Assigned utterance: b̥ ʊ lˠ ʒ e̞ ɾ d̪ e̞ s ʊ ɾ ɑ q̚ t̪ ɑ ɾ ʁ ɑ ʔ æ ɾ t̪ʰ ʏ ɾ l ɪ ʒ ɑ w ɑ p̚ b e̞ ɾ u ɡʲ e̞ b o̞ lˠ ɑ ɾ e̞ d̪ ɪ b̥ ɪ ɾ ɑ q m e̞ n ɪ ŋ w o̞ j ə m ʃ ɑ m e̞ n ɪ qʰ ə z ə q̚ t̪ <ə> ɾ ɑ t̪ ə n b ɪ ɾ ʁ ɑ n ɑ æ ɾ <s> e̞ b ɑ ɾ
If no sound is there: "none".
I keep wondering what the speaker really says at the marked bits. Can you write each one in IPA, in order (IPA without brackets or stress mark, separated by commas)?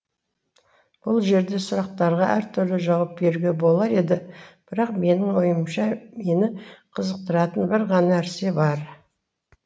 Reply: ə, s